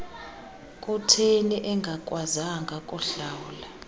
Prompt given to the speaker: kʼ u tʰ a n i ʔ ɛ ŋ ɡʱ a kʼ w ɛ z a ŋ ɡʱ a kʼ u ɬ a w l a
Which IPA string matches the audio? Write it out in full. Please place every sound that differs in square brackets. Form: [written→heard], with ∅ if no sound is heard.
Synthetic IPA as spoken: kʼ u tʰ [a→e] n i ʔ ɛ ŋ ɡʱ a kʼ w [ɛ→a] z a ŋ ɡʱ a kʼ u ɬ a w l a